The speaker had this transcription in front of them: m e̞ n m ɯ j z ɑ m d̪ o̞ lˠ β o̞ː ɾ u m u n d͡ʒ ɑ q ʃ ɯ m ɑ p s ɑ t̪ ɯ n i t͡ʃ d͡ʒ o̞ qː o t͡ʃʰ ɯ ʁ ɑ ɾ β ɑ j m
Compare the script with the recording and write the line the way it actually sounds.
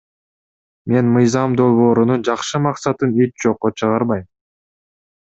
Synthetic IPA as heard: m e̞ n m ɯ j z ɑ m d̪ o̞ lˠ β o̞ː ɾ u n u n d͡ʒ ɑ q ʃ ɯ m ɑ q s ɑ t̪ ɯ n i t͡ʃ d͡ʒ o̞ qː o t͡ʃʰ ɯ ʁ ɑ ɾ β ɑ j m